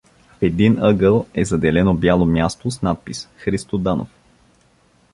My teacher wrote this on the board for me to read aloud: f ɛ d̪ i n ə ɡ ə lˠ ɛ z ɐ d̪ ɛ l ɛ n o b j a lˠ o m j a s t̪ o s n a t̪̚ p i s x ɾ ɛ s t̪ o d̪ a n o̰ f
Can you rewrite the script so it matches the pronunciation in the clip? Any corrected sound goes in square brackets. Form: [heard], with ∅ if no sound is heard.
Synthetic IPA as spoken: f ɛ d̪ i n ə ɡ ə lˠ ɛ z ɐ d̪ ɛ l ɛ n o b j a lˠ o m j a s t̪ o s n a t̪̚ p i s x ɾ [i] s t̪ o d̪ a n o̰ f